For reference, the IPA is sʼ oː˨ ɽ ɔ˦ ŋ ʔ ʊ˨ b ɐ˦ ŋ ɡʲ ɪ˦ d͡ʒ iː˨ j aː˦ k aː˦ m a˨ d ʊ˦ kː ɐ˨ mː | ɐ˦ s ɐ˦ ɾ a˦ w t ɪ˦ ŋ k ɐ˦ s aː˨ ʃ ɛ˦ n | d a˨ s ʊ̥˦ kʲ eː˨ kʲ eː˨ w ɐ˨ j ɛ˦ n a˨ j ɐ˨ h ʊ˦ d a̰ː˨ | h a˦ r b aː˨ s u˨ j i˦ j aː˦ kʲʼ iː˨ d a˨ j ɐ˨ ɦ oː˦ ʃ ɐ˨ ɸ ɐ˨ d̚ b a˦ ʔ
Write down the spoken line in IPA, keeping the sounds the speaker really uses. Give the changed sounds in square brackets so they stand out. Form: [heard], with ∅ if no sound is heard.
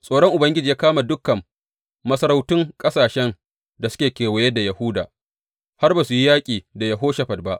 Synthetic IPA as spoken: sʼ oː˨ ɽ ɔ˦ ŋ ʔ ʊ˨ b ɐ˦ ŋ ɡʲ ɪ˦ d͡ʒ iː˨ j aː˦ k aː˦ m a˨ d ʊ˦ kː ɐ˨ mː | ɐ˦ s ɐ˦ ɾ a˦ w t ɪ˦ ŋ [kʼ] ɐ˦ s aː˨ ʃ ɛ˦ n | d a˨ s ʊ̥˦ kʲ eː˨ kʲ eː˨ w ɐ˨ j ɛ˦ [d] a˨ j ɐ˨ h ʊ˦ d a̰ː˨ | h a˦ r b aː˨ s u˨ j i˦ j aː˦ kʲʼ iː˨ d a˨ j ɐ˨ ɦ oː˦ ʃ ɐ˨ ɸ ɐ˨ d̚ b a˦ ʔ

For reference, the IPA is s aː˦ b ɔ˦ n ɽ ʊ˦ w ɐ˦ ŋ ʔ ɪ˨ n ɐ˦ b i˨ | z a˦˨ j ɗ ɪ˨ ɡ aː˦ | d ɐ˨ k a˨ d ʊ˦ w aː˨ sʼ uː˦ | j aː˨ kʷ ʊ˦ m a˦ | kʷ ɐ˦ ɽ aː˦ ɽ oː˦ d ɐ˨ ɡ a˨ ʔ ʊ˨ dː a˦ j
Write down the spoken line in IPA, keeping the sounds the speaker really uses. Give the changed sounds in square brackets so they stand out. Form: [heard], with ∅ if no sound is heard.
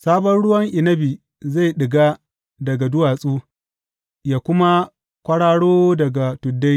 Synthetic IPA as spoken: s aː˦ b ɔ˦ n ɽ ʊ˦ w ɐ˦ ŋ ʔ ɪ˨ n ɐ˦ b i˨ | z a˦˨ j ɗ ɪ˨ ɡ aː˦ | d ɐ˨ [ɡ] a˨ d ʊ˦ w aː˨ sʼ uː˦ | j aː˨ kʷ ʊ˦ m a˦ | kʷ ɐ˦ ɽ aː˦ ɽ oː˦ d ɐ˨ ɡ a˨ [t] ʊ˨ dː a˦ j

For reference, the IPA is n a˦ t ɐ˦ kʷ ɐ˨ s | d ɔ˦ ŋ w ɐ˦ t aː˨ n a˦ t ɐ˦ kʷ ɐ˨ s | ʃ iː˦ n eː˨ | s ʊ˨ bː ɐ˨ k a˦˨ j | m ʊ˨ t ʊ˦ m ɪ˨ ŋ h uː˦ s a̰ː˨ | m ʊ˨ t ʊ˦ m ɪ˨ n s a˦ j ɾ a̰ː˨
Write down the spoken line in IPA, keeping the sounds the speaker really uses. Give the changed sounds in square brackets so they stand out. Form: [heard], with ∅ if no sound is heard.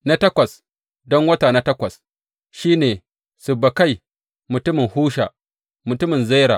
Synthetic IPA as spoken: n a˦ t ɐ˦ kʷ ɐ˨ s | d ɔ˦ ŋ w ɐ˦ t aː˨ n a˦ t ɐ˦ kʷ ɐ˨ s | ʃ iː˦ n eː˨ | s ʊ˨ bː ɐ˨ k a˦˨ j | m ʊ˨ t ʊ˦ m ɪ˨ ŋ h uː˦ [ʃ] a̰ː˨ | m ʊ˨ t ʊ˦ m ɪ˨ n [z] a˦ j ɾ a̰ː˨

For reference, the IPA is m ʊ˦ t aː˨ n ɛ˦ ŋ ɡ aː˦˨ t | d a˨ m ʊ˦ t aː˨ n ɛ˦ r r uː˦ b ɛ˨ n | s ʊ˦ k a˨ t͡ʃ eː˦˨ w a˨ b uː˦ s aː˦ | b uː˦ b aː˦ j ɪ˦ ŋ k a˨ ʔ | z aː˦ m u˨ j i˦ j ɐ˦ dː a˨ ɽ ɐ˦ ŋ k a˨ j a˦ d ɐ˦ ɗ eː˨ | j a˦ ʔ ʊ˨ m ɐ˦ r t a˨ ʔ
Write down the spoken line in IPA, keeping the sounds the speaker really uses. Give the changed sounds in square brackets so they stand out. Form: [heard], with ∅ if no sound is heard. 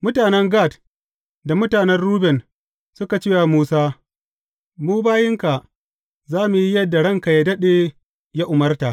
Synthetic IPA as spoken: m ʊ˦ t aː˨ n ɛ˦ ŋ ɡ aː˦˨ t | d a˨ m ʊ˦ t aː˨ n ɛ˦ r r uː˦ b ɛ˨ n | s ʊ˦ k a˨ t͡ʃ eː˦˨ w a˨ [m] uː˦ s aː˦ | [m] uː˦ b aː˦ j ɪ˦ ŋ k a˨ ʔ | z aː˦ m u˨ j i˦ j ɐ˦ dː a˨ ɽ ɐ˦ ŋ k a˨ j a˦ d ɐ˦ ɗ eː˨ | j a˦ ʔ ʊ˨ m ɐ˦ r t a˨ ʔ

